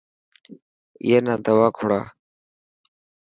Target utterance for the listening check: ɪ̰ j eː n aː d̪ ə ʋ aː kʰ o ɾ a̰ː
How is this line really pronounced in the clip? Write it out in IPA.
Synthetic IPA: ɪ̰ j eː n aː d̪ ə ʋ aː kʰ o ɽ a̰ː